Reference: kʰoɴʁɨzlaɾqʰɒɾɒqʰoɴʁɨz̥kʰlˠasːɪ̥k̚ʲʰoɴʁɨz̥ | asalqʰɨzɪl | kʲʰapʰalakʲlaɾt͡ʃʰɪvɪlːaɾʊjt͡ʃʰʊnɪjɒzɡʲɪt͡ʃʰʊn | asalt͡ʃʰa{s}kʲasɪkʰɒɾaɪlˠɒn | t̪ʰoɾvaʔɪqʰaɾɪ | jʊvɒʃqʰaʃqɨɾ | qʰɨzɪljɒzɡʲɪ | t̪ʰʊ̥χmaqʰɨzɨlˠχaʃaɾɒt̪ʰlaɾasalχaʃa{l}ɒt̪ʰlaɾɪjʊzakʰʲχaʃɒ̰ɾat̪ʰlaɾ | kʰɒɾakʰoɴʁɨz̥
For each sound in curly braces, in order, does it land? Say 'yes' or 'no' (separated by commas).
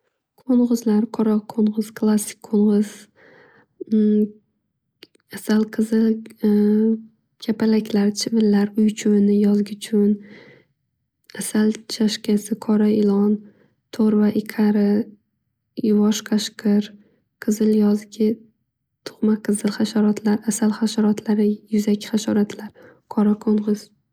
no, no